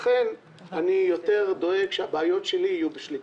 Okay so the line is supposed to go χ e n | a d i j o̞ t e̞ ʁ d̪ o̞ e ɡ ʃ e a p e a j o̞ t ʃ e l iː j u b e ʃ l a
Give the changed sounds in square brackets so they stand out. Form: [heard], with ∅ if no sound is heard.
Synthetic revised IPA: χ e n | a [n] i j o̞ t e̞ ʁ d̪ o̞ e ɡ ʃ e a [b] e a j o̞ t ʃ e l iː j u b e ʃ l [i]